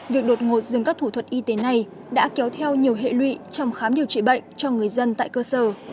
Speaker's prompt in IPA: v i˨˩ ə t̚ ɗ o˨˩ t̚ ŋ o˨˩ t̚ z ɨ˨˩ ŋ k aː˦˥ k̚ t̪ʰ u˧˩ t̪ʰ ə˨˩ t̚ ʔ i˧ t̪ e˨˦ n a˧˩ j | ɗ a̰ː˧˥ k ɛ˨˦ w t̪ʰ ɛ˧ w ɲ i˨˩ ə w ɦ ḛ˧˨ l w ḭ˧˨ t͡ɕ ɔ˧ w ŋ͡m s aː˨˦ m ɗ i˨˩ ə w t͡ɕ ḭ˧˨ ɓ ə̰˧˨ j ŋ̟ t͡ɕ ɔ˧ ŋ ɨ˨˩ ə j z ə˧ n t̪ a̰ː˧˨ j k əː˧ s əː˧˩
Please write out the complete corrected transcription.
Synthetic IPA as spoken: v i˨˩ ə k̚ ɗ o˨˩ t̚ ŋ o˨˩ t̚ z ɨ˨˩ ŋ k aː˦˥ k̚ t̪ʰ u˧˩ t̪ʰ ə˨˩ t̚ ʔ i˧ t̪ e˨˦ n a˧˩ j | ɗ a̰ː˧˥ k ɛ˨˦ w t̪ʰ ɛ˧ w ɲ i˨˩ ə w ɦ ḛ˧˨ l w ḭ˧˨ t͡ɕ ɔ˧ w ŋ͡m x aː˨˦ m ɗ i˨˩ ə w t͡ɕ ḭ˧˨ ɓ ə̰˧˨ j ŋ̟ t͡ɕ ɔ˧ ŋ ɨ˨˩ ə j z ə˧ n t̪ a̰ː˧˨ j k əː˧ s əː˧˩

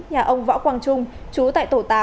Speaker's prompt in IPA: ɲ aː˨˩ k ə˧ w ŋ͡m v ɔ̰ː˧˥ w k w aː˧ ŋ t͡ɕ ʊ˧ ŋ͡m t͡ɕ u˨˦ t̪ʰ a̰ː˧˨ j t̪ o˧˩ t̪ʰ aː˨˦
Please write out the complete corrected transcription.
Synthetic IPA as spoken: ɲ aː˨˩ ʔ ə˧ w ŋ͡m v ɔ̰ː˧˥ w k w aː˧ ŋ t͡ɕ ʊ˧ ŋ͡m t͡ɕ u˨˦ t̪ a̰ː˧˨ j t̪ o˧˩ t̪ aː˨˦

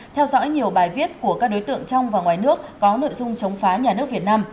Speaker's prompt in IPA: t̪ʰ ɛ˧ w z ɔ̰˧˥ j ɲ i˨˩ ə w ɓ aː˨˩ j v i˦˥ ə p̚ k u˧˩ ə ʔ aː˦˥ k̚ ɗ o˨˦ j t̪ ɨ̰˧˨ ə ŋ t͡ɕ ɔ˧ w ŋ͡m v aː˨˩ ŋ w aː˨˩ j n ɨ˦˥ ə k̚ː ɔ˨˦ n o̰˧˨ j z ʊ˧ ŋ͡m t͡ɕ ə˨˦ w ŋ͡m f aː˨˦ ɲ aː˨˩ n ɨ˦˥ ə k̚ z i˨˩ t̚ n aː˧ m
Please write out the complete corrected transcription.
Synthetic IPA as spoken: t̪ʰ ɛ˧ w z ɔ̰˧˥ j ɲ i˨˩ ə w ɓ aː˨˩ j v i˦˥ ə t̚ k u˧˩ ə k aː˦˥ k̚ ɗ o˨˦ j t̪ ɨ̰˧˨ ə ŋ t͡ɕ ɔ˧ w ŋ͡m v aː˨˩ ŋ w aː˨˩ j n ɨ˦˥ ə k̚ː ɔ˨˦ n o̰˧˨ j z ʊ˧ ŋ͡m t͡ɕ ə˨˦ w ŋ͡m f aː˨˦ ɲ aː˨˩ n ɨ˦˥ ə k̚ v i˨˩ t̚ n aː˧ m

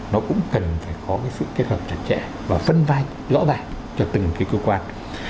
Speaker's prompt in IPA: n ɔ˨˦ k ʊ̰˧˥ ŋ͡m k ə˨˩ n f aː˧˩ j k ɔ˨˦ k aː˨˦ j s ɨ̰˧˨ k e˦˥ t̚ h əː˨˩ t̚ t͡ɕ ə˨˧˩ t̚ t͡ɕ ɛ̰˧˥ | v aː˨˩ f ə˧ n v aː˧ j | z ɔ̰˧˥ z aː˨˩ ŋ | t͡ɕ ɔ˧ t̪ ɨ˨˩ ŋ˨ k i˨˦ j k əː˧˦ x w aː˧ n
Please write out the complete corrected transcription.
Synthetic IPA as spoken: n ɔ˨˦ k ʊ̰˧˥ ŋ͡m k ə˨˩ n f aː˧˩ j k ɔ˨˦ k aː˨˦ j s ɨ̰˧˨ k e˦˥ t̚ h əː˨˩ p̚ t͡ɕ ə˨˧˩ t̚ t͡ɕ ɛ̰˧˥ | v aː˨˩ f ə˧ n v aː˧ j | z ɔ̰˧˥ z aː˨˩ ŋ | t͡ɕ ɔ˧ t̪ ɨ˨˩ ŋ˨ k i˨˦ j k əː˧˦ k w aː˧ n

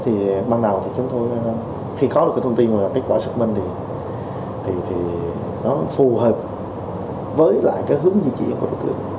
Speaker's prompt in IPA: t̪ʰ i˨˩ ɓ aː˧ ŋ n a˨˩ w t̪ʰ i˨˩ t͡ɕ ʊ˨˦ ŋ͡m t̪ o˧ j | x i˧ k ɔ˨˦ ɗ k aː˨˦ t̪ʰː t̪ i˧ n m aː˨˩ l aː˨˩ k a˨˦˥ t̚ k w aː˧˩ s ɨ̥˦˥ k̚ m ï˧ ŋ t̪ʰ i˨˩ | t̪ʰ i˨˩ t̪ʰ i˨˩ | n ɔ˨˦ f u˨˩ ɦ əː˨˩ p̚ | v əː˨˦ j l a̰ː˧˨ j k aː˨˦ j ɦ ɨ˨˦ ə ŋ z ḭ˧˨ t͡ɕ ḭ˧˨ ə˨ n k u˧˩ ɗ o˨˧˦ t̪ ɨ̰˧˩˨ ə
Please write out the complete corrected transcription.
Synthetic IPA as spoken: t̪ʰ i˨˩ ɓ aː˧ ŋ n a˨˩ w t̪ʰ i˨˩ t͡ɕ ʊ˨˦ ŋ͡m t̪ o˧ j | x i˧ k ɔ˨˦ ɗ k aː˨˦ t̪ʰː t̪ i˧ n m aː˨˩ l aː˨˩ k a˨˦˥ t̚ k w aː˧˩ s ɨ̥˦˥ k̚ m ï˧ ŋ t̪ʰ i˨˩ | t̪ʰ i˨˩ t̪ʰ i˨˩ | n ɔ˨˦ f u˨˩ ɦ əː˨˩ p̚ | v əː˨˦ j l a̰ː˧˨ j k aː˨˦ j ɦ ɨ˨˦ ə ŋ z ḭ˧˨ t͡ɕ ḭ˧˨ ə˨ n k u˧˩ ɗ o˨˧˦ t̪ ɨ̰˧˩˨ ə

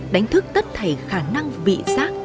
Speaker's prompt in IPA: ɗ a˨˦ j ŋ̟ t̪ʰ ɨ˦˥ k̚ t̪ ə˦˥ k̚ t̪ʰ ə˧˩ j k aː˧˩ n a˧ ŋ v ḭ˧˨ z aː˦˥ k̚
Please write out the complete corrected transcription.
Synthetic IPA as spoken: ɗ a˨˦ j ŋ̟ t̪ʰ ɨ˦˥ k̚ t̪ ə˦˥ t̚ t̪ʰ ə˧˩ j x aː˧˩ n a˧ ŋ v ḭ˧˨ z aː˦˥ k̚

